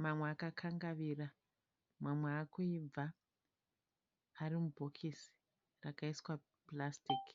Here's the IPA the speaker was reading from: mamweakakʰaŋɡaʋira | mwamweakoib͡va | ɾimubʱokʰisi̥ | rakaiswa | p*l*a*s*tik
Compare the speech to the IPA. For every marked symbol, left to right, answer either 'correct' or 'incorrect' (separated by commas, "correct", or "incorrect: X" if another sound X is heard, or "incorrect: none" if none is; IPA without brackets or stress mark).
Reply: correct, correct